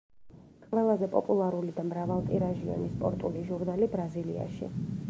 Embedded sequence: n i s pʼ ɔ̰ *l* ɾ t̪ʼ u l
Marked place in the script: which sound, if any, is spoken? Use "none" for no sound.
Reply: none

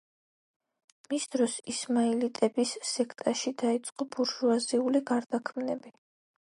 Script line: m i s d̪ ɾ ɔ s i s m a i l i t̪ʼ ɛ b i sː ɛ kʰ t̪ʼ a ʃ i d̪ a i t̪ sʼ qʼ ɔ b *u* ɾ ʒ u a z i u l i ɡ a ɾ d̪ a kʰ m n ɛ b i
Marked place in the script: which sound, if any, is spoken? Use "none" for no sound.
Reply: u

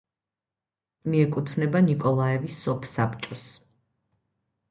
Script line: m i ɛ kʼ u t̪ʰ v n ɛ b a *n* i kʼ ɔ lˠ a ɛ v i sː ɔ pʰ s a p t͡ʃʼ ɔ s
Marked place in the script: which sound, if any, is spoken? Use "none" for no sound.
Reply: n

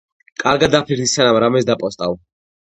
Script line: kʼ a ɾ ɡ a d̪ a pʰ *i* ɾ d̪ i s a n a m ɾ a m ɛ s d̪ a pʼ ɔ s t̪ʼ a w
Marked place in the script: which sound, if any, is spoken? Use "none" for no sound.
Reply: i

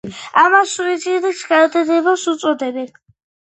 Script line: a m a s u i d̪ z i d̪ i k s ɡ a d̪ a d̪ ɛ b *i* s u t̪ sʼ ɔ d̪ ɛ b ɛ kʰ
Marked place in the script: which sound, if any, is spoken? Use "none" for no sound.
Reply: a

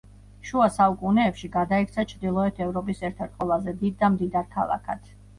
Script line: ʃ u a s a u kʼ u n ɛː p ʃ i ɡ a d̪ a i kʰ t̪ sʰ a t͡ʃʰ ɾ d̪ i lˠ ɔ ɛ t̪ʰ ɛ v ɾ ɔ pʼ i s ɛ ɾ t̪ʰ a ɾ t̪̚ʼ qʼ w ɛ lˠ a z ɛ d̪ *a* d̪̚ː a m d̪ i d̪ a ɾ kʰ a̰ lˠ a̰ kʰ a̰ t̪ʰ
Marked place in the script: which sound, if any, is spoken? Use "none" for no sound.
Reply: i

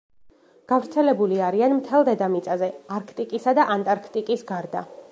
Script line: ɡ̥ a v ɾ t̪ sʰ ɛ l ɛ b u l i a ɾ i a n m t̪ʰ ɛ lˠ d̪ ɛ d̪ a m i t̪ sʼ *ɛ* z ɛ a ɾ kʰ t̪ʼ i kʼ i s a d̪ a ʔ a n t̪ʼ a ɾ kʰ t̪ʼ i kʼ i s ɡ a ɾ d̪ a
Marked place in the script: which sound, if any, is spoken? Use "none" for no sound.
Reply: a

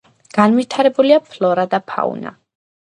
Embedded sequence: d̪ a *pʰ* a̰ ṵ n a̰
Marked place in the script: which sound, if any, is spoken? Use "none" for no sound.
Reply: pʰ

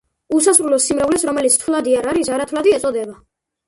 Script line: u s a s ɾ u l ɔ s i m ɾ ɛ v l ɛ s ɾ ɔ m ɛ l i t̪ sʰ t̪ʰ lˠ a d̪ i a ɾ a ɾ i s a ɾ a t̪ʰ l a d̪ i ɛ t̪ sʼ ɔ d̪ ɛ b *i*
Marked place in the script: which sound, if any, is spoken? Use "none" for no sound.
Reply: a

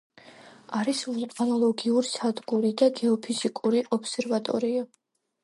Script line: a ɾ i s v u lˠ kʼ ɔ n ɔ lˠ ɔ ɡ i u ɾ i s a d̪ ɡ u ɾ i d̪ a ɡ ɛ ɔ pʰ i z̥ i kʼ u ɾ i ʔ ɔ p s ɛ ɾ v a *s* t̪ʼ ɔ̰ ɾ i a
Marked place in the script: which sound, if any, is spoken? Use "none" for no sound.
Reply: none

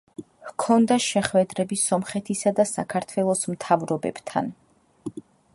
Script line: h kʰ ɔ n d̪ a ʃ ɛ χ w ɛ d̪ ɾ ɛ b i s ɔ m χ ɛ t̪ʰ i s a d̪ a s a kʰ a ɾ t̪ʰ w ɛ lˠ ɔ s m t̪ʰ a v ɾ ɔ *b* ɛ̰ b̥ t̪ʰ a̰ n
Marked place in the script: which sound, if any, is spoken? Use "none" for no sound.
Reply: b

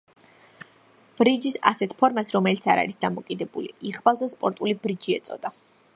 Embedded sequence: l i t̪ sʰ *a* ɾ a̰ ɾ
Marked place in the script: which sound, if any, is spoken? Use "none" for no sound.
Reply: a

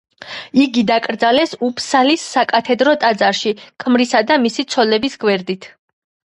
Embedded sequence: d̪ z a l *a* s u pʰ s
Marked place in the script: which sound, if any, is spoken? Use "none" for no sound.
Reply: ɛ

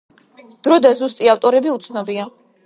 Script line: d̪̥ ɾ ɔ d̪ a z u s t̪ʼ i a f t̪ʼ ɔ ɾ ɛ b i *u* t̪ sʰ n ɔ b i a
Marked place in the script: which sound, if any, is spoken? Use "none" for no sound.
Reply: u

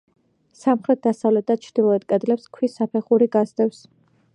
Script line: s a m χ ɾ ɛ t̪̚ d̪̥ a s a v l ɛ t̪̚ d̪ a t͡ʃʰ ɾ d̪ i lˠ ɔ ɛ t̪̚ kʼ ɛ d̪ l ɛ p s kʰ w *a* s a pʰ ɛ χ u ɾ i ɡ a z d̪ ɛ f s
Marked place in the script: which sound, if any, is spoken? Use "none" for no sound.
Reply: i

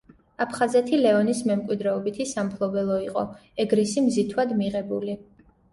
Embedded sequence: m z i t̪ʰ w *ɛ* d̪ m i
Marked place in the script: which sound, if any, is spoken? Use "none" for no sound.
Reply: a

